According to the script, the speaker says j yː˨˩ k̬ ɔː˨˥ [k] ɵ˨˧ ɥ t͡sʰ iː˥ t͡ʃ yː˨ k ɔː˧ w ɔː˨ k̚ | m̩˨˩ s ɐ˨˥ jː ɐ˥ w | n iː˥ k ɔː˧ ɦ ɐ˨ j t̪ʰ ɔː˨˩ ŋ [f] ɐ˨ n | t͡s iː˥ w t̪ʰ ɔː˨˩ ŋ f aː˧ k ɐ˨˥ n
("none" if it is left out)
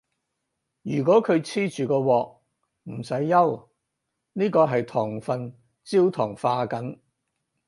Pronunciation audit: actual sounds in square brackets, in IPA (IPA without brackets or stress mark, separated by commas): kʰ, f